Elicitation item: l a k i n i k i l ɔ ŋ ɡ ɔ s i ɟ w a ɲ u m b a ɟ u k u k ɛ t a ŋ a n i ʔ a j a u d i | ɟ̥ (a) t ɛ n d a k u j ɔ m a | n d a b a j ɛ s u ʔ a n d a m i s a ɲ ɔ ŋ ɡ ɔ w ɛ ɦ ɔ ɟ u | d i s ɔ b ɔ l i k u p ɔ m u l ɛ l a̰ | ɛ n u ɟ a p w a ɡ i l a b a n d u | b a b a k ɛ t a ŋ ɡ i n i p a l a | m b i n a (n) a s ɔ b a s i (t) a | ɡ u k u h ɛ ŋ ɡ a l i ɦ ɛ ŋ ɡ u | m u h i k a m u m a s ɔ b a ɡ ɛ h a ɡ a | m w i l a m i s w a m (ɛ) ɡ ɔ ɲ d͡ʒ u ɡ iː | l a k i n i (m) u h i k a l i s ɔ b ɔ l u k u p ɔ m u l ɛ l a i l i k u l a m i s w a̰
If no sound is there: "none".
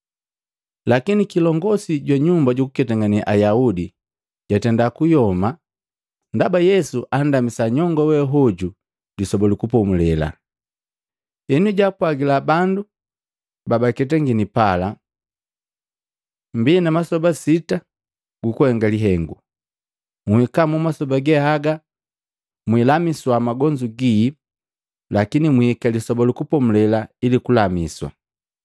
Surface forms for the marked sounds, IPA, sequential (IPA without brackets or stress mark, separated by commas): a, m, t, a, m